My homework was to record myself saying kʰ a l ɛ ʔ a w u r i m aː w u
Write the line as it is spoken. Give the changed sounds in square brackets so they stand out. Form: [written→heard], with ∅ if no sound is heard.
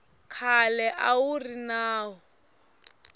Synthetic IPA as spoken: kʰ a l ɛ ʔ a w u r i [m→n] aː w [u→ɔ]